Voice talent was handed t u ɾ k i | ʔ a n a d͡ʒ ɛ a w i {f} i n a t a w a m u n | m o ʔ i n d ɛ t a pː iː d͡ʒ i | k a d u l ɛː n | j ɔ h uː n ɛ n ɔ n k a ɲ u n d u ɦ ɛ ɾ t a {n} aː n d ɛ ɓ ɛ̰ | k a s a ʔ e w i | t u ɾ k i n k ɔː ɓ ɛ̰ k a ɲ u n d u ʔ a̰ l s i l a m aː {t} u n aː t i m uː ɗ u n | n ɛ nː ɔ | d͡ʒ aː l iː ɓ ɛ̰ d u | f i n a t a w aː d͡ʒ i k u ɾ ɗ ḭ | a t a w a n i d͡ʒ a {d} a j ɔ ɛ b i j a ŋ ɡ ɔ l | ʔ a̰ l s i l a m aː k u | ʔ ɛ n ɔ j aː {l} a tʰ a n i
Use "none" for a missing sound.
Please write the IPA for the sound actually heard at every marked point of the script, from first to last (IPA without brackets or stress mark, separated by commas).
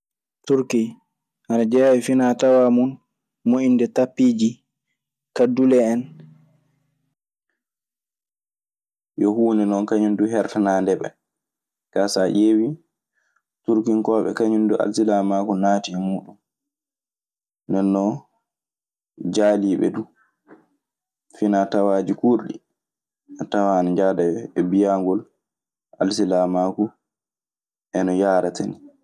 f, n, k, d, ɾ